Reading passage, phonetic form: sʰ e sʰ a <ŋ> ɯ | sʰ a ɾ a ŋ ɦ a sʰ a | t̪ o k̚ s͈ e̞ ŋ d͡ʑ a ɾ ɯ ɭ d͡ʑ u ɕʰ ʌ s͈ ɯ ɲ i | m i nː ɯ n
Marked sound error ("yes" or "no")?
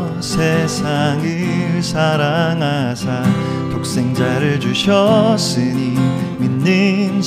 no